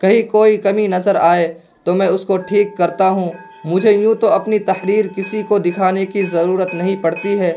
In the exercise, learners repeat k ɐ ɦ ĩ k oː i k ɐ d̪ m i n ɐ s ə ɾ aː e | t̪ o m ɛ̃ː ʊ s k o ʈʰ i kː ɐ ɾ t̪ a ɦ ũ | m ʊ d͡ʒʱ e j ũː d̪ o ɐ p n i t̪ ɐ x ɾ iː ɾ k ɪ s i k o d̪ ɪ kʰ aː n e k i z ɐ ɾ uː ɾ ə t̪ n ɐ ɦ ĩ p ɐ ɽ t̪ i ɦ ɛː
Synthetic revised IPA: k ɐ ɦ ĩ k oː i k ɐ m i n ɐ z ə ɾ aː e | t̪ o m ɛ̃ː ʊ s k o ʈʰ iː kː ɐ ɾ t̪ a ɦ ũ | m ʊ d͡ʒʱ e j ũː t̪ o ɐ p n i t̪ ɐ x ɾ iː ɾ k ɪ s i k o d̪ ɪ kʰ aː n e k i z ɐ ɾ uː ɾ ə t̪ n ɐ ɦ ĩ p ɐ ɽ t̪ i ɦ ɛː